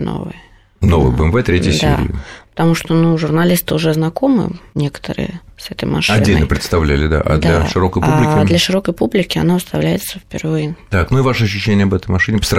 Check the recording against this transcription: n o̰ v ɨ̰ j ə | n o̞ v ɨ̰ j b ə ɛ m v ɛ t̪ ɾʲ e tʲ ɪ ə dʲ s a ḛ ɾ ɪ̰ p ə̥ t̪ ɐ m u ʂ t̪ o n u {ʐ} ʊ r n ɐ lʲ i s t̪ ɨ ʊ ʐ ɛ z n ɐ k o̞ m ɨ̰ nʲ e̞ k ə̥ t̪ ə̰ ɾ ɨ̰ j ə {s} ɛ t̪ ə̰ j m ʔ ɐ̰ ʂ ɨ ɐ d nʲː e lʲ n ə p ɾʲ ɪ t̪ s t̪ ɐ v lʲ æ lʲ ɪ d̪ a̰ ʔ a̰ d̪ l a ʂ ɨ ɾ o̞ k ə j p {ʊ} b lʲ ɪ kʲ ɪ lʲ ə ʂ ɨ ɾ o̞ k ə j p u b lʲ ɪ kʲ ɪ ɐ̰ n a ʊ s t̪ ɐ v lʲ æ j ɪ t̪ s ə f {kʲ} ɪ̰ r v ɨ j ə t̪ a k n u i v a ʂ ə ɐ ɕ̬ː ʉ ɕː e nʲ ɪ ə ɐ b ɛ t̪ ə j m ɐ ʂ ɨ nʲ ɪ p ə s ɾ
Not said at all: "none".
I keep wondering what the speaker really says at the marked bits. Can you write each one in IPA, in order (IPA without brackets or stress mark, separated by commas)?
ʐ, s, u, pʲ